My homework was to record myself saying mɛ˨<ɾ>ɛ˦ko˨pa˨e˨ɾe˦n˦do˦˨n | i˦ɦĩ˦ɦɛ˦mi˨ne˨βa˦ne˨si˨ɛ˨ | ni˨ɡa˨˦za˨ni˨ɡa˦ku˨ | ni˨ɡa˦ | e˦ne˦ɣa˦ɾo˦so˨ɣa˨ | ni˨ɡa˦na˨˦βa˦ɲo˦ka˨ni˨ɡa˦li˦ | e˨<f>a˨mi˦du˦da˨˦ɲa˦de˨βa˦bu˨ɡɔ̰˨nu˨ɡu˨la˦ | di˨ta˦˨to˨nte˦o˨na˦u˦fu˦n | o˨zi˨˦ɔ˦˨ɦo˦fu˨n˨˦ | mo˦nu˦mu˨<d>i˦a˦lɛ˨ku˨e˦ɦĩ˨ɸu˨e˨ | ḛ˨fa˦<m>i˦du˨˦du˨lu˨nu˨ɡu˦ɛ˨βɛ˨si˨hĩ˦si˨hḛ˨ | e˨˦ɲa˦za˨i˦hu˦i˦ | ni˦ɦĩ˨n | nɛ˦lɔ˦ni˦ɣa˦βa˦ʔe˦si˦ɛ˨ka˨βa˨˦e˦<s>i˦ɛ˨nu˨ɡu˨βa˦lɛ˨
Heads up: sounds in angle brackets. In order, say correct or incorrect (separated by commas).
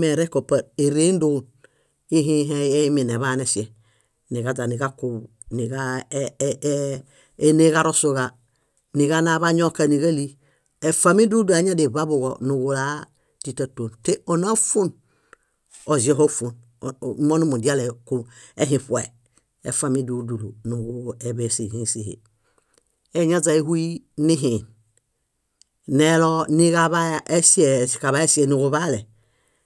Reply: correct, correct, correct, correct, correct